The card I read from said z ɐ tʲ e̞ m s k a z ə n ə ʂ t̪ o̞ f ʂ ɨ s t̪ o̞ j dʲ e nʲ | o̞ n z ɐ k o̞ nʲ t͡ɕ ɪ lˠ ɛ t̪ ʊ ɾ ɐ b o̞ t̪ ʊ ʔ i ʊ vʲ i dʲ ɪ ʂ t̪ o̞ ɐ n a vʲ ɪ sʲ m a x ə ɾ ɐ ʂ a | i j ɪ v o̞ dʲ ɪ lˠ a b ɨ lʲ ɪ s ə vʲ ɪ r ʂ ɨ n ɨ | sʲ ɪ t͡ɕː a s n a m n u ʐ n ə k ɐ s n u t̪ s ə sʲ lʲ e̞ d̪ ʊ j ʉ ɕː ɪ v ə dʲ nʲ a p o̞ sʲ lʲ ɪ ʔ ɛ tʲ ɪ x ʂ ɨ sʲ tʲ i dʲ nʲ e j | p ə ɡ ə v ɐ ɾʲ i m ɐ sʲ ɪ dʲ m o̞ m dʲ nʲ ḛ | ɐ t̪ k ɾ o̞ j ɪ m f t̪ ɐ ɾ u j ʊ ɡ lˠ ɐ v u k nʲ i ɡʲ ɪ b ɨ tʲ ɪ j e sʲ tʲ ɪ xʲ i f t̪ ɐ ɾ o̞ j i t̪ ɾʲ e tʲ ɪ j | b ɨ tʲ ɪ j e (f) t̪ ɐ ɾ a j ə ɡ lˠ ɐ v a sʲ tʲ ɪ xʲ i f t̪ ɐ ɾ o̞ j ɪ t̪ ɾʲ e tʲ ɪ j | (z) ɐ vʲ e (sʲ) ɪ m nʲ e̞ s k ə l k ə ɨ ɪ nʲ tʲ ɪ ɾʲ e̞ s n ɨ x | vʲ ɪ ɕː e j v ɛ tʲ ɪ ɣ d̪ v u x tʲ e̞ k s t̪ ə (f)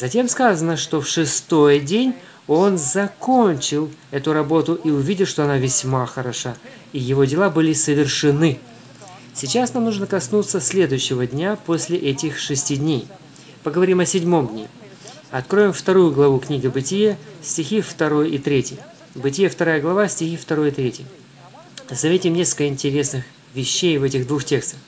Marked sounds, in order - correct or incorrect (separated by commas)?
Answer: correct, correct, incorrect, incorrect